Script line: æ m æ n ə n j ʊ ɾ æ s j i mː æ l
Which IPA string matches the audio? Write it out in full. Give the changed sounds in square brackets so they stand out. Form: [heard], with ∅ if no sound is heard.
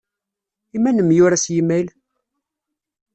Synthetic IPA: [i] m æ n ə [m] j ʊ ɾ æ s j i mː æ l